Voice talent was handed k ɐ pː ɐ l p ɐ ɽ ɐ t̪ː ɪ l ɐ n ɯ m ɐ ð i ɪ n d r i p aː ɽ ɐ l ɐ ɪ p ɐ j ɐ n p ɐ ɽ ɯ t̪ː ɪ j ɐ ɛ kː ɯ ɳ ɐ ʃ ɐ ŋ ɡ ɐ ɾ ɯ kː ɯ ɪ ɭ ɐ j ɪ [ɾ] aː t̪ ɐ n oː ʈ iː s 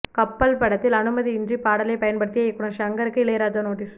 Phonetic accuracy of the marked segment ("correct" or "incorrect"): correct